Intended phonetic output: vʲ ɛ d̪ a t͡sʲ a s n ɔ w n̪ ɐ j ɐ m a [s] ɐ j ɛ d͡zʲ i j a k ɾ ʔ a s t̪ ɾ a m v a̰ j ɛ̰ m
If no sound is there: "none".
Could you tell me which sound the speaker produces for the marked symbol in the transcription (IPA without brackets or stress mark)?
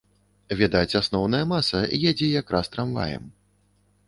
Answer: s